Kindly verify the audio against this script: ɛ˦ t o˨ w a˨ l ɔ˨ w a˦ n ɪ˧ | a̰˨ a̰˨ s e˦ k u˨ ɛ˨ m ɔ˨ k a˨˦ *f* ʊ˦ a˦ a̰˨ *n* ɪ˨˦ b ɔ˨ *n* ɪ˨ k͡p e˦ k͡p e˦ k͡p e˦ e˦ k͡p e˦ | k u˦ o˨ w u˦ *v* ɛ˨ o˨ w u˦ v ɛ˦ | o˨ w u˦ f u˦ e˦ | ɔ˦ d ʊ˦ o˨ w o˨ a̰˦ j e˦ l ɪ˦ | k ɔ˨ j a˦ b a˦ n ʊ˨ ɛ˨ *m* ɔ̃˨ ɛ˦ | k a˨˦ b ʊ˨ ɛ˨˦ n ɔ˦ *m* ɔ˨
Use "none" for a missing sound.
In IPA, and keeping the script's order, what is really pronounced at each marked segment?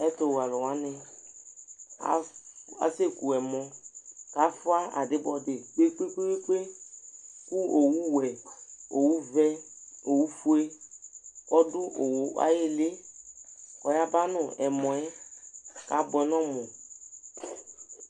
f, d, d, w, m, m

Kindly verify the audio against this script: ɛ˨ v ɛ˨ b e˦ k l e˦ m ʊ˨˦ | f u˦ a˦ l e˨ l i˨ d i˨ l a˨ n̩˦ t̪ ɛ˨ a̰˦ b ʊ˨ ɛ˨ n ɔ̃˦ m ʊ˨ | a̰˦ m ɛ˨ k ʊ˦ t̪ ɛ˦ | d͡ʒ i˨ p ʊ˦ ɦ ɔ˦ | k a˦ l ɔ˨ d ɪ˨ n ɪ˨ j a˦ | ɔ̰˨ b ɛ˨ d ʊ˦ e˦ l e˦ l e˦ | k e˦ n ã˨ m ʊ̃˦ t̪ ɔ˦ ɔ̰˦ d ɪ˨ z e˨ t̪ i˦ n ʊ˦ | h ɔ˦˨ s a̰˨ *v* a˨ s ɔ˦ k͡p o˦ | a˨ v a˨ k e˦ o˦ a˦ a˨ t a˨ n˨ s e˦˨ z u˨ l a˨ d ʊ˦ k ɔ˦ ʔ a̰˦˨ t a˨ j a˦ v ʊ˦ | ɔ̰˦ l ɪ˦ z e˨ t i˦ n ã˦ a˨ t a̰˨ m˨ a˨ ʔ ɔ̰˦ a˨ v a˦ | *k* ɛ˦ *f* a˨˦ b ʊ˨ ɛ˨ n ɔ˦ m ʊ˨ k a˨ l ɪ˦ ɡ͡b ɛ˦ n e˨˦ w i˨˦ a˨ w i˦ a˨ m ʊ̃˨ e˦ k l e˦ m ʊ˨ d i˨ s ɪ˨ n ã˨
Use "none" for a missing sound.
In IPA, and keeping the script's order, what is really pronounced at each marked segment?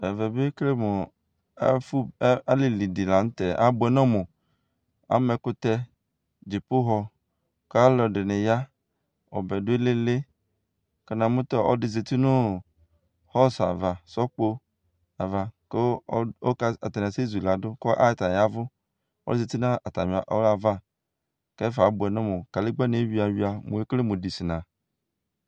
v, k, f

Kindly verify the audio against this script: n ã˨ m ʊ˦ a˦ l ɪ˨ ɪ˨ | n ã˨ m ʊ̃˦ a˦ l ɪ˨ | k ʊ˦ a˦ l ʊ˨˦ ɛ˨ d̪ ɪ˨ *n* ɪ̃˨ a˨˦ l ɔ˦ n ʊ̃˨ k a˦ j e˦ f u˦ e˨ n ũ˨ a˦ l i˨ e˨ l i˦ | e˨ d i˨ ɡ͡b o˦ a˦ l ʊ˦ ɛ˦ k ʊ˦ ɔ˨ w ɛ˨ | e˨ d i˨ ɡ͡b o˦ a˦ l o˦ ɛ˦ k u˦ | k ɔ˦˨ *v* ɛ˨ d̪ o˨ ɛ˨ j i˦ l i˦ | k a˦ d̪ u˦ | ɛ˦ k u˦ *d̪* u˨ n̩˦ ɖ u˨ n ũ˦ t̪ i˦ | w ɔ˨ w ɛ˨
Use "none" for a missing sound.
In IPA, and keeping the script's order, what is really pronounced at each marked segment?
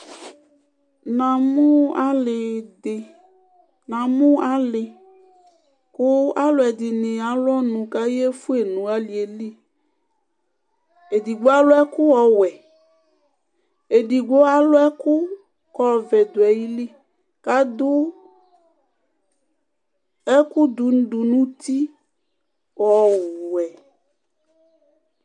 n, v, d̪

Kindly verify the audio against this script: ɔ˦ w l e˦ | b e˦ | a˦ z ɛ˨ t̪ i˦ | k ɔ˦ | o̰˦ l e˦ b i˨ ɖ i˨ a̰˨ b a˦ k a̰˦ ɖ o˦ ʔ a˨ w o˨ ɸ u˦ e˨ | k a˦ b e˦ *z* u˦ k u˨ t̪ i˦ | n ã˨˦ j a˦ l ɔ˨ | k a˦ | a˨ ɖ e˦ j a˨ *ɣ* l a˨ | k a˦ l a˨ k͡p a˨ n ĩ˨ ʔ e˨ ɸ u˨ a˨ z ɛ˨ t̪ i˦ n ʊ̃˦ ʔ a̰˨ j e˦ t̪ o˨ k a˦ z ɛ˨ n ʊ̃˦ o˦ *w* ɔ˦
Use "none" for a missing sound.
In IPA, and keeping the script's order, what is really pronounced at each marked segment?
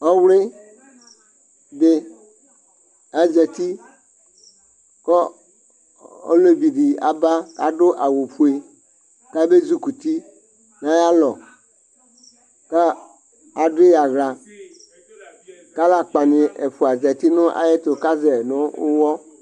z, ɣ, w

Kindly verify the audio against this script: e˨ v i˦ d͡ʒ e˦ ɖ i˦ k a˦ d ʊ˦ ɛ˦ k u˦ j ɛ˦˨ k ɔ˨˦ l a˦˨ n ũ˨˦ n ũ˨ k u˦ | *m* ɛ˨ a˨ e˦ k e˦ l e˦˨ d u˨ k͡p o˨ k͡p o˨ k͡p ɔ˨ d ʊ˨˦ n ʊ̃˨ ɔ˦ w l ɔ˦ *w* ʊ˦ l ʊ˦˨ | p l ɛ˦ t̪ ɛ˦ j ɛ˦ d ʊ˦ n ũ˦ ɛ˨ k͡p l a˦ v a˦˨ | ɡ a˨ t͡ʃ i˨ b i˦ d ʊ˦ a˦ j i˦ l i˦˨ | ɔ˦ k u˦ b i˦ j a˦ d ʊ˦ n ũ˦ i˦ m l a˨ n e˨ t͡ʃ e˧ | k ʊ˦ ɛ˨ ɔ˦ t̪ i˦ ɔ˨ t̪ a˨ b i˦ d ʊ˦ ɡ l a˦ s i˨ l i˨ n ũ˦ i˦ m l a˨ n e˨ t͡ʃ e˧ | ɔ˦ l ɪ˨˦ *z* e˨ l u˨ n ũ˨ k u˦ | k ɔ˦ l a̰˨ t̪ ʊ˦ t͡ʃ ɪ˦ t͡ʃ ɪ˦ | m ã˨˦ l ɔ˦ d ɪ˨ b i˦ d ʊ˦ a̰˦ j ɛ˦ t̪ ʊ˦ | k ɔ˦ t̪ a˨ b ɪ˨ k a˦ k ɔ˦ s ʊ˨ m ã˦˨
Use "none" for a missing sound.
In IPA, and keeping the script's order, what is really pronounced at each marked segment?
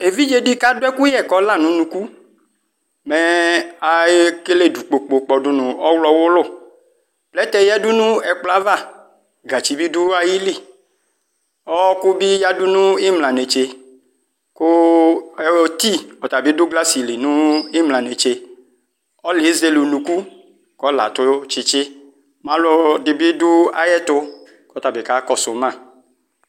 m, w, z

